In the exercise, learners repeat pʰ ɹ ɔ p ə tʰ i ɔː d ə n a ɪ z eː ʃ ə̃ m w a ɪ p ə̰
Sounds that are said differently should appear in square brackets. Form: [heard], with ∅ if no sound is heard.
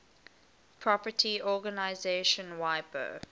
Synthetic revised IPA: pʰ ɹ ɔ p ə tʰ i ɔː [ɡ] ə n a ɪ z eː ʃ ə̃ [n] w a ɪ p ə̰